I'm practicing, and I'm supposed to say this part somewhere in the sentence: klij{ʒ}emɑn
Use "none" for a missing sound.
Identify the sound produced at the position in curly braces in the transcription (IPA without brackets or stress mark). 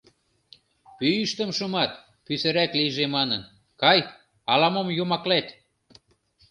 ʒ